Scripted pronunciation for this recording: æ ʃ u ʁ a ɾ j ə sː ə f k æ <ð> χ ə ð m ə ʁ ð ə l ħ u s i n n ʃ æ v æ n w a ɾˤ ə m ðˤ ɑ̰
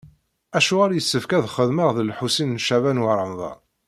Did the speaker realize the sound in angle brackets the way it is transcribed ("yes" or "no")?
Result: yes